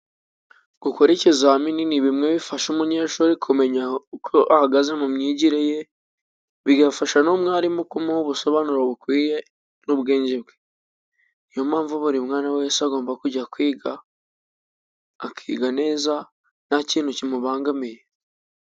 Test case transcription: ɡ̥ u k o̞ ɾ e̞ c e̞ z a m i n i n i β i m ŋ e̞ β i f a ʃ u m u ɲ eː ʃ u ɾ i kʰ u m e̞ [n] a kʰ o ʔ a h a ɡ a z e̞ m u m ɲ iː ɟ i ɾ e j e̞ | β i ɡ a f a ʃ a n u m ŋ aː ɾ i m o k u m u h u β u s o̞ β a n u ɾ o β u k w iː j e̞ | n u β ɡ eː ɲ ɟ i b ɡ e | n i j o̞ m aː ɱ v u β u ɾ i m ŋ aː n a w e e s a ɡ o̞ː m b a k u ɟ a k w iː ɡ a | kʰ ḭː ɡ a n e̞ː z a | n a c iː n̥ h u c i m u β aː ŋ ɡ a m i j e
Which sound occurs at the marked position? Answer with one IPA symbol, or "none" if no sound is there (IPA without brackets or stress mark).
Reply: ɲ